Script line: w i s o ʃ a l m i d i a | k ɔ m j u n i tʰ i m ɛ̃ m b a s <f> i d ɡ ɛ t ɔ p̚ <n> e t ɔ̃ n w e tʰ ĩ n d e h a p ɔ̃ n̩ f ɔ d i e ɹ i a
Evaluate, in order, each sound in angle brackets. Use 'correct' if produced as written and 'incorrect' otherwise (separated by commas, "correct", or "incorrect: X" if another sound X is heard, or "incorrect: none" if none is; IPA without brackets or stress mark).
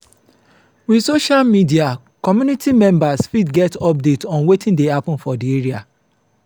correct, incorrect: d